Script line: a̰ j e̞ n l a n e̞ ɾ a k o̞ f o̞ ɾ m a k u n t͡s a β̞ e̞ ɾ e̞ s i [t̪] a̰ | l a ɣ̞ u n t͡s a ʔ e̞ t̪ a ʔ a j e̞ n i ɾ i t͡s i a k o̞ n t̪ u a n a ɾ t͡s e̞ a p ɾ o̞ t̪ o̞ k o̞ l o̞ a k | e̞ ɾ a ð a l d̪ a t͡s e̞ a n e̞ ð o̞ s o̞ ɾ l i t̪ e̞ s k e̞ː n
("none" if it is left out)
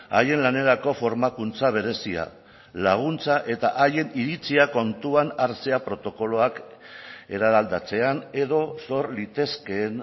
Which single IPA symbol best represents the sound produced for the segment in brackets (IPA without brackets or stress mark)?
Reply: none